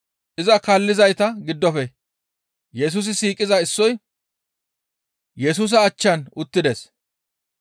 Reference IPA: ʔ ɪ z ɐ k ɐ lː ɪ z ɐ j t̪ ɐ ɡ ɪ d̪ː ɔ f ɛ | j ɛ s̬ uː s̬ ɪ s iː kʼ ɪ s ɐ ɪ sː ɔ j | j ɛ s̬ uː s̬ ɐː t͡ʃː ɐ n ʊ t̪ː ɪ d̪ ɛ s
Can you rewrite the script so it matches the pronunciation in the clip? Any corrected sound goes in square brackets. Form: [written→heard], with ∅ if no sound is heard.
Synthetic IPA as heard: ʔ ɪ z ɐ k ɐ lː ɪ z ɐ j t̪ ɐ ɡ ɪ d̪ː ɔ f ɛ | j ɛ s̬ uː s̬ ɪ s iː kʼ ɪ [s→z] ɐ ɪ sː ɔ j | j ɛ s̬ uː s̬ ɐː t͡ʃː ɐ n ʊ t̪ː ɪ d̪ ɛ s